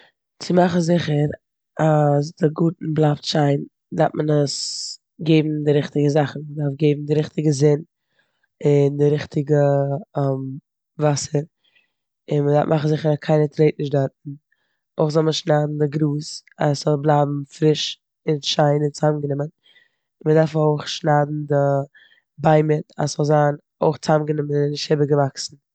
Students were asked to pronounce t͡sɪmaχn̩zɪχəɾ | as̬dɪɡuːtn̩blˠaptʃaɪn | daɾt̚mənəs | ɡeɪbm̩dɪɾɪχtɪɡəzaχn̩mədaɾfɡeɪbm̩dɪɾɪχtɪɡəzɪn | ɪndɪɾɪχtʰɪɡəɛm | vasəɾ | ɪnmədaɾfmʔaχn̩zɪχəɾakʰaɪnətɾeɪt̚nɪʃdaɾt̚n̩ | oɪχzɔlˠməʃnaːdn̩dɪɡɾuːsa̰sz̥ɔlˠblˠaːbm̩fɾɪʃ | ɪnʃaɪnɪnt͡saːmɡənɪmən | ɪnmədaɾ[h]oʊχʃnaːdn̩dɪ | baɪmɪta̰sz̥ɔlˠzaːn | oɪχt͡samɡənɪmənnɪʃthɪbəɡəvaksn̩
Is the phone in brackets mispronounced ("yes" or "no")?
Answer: yes